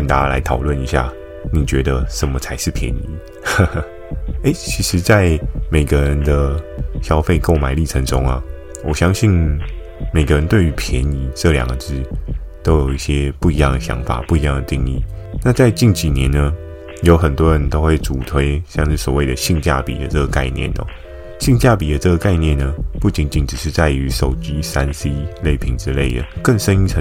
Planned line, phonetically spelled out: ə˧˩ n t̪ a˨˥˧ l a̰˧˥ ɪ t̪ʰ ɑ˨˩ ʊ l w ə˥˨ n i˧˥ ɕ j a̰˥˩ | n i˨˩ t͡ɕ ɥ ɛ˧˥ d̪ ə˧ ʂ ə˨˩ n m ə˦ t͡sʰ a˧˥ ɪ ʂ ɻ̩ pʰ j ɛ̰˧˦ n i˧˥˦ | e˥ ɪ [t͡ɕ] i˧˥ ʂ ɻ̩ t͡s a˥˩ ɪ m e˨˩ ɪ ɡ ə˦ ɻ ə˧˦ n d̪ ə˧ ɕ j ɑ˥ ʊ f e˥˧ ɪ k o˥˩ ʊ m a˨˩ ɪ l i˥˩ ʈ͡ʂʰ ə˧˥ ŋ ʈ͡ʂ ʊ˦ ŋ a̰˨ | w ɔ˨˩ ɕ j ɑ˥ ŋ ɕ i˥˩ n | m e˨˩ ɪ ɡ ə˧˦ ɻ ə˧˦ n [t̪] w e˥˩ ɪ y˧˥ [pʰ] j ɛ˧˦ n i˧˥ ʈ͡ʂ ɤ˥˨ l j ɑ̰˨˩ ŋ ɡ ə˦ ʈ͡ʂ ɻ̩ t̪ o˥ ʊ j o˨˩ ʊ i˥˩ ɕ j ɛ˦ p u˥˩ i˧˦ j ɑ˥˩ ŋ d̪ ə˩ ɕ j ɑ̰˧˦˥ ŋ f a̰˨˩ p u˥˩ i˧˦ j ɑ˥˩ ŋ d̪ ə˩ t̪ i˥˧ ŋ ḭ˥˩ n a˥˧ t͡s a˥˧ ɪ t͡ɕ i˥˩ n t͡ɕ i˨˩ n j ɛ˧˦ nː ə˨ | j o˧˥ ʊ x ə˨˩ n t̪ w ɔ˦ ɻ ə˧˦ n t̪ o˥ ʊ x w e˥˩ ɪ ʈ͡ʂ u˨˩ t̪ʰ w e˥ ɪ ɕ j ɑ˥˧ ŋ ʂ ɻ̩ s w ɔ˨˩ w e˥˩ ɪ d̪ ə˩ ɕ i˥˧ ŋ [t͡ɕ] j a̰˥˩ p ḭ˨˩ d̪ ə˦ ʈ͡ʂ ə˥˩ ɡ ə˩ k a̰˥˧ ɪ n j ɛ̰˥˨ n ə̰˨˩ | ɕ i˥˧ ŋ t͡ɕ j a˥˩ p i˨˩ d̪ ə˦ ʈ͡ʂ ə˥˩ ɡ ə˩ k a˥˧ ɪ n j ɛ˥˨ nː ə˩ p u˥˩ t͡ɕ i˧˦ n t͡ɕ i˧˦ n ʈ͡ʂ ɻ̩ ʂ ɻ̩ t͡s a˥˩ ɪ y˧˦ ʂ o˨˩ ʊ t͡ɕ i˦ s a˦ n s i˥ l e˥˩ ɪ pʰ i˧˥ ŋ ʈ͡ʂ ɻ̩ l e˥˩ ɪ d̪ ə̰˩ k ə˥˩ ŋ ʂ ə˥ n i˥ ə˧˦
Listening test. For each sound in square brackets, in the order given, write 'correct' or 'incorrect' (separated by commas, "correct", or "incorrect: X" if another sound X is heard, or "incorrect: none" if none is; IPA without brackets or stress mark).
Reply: incorrect: t͡ɕʰ, correct, correct, correct